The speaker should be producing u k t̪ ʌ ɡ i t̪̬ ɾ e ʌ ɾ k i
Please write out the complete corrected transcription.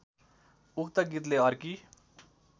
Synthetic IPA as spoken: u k t̪ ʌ ɡ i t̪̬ l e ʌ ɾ k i